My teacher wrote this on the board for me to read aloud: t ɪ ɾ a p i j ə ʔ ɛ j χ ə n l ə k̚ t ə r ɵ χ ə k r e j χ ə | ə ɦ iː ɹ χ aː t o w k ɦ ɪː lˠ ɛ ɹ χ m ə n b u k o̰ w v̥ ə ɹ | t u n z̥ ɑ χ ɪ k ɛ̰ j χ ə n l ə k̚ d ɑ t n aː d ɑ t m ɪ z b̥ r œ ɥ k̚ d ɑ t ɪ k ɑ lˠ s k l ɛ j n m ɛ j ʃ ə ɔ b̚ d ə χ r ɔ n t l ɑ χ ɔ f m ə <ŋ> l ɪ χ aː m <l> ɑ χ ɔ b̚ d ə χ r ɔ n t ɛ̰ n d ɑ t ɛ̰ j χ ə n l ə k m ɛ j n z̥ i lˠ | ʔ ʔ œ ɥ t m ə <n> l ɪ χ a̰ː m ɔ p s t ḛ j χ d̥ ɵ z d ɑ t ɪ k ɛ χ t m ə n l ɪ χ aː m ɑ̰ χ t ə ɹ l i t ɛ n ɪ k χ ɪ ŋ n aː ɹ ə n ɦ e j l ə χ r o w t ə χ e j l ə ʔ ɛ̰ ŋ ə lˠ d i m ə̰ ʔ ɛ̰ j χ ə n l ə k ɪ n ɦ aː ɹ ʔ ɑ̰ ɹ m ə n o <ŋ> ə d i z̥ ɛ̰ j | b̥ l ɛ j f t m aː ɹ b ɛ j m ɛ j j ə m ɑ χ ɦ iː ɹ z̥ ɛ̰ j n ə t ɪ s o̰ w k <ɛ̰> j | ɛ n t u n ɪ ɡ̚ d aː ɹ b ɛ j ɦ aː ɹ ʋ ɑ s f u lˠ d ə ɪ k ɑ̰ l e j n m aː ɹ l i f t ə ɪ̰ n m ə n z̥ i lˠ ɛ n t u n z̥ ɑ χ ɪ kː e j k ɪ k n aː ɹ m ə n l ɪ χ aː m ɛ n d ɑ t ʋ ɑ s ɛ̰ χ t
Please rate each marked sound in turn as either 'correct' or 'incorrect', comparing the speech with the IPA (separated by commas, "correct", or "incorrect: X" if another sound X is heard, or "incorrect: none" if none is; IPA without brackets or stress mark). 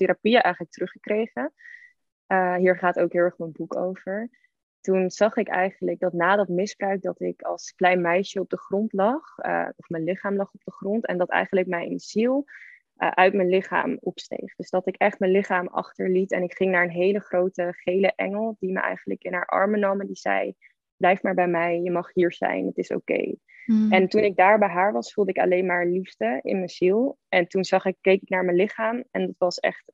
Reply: incorrect: n, correct, correct, incorrect: m, incorrect: ḛ